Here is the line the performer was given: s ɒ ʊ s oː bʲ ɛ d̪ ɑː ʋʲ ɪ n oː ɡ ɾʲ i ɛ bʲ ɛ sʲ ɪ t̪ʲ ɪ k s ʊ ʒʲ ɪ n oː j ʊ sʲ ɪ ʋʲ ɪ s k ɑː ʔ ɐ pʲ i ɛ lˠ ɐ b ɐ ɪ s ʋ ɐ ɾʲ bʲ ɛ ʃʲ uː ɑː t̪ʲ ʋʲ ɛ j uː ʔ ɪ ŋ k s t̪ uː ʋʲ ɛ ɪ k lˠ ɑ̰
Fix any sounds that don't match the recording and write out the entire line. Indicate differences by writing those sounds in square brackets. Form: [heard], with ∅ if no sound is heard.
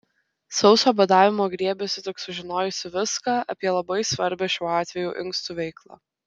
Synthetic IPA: s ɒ ʊ s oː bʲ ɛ d̪ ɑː ʋʲ ɪ [m] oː ɡ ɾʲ i ɛ bʲ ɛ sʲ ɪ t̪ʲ ɪ k s ʊ ʒʲ ɪ n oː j ʊ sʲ ɪ ʋʲ ɪ s k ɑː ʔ ɐ pʲ i ɛ lˠ ɐ b ɐ ɪ s ʋ ɐ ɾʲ bʲ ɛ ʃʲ uː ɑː t̪ʲ ʋʲ ɛ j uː ʔ ɪ ŋ k s t̪ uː ʋʲ ɛ ɪ k lˠ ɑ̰